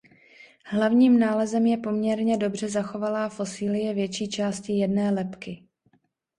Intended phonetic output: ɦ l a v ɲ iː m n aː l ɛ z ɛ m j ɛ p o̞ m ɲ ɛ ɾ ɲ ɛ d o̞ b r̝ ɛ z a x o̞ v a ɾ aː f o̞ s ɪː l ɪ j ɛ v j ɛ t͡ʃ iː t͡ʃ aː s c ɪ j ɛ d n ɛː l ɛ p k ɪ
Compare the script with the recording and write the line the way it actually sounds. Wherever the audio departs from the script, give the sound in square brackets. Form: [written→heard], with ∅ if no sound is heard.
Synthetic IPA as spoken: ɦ l a v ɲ iː m n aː l ɛ z ɛ m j ɛ p o̞ m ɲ ɛ ɾ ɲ ɛ d o̞ b r̝ ɛ z a x o̞ v a [ɾ→l] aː f o̞ s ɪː l ɪ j ɛ v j ɛ t͡ʃ iː t͡ʃ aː s c ɪ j ɛ d n ɛː l ɛ p k ɪ